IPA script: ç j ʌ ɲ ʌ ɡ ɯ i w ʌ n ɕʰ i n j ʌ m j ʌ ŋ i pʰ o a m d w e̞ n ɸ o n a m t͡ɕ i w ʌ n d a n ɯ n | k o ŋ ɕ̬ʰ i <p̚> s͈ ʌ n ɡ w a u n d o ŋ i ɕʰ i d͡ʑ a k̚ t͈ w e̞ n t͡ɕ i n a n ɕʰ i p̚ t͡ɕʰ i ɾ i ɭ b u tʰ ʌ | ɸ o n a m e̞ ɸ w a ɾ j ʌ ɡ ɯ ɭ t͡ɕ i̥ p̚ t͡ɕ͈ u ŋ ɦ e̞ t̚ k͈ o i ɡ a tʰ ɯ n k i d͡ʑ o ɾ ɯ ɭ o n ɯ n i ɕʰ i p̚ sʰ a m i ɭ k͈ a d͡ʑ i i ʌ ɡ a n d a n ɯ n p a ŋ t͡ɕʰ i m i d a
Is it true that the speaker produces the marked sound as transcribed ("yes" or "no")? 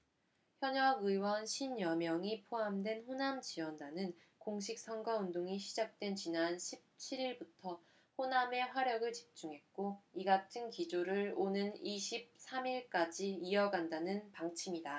no